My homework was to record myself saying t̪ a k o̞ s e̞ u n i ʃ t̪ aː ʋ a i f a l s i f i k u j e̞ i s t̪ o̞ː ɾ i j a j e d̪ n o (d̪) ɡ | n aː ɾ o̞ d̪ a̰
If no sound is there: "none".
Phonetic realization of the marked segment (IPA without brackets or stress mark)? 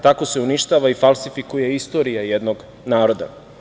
none